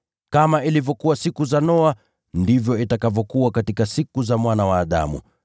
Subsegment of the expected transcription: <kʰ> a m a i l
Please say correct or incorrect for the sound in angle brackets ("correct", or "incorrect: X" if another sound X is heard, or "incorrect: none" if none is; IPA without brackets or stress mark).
incorrect: k